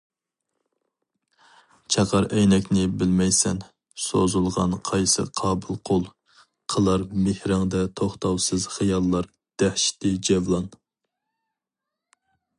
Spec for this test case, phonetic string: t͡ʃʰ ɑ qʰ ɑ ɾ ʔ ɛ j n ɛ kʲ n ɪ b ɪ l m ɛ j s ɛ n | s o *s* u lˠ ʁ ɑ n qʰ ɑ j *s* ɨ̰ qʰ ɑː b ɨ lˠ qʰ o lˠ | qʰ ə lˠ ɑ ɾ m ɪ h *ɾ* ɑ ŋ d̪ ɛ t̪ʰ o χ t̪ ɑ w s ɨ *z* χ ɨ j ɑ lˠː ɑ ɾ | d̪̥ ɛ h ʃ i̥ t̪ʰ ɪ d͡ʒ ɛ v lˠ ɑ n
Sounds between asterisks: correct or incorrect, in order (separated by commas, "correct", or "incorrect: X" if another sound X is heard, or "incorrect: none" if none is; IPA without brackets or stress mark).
incorrect: z, correct, correct, correct